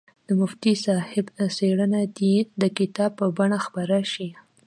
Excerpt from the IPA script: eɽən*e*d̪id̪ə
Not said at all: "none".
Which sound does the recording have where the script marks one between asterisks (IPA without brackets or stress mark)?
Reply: a